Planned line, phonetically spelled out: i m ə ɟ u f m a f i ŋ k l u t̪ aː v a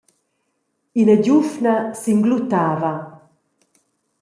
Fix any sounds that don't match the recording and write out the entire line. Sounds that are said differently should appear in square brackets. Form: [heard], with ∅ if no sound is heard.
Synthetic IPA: i [n] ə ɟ u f [n] a [s] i ŋ [ɡ] l u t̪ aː v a